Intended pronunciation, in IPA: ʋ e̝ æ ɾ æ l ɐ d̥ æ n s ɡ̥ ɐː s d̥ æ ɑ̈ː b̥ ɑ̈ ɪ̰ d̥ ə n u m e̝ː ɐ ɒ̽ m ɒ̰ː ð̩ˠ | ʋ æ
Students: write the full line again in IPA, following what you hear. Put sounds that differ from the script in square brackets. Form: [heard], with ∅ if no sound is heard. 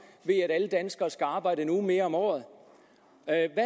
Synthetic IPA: ʋ e̝ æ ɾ æ l [ə] d̥ æ n s ɡ̥ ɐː s [ɡ̥] æ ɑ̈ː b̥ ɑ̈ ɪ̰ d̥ ə n u m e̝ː ɐ ɒ̽ m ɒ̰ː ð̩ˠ | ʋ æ

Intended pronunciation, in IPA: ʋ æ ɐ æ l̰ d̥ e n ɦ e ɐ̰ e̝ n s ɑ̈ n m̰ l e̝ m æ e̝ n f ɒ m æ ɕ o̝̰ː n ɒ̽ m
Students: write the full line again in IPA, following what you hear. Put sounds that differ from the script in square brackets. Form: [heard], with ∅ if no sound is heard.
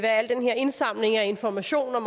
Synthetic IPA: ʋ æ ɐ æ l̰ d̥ e n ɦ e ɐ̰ e̝ n s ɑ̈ [∅] m̰ l e̝ [ŋ] æ e̝ n f ɒ m æ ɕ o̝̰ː n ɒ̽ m

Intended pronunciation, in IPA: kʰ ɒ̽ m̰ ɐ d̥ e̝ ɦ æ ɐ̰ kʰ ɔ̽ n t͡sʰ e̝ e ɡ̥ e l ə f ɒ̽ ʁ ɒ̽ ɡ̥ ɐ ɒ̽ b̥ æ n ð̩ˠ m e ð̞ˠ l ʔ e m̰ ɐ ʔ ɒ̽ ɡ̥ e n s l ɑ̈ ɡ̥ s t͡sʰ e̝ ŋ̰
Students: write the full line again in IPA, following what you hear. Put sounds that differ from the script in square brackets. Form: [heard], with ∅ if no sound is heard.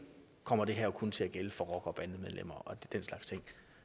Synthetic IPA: kʰ ɒ̽ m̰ ɐ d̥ e̝ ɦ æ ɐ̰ kʰ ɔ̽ n t͡sʰ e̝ [æ] ɡ̥ e l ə f ɒ̽ ʁ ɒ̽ ɡ̥ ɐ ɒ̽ b̥ æ n ð̩ˠ m e ð̞ˠ l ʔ e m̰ ɐ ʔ ɒ̽ [d̥] e n s l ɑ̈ ɡ̥ s t͡sʰ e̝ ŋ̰

